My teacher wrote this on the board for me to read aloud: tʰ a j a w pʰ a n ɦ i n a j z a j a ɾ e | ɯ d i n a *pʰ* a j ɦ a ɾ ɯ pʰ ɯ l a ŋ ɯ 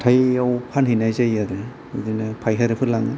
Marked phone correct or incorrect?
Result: correct